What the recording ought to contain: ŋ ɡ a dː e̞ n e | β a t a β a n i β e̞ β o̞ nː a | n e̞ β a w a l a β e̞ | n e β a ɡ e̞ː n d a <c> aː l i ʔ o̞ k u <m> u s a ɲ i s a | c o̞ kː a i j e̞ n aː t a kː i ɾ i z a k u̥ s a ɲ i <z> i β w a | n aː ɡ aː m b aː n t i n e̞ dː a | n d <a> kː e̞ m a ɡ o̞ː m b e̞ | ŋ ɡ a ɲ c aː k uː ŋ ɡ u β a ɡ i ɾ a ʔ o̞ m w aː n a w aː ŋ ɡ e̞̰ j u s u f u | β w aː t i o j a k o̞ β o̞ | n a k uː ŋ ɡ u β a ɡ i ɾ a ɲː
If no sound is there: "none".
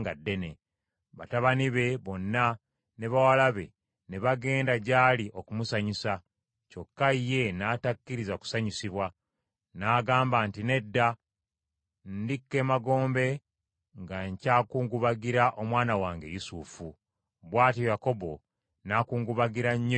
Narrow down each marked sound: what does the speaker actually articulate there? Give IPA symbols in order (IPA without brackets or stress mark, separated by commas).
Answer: ɟ, m, s, i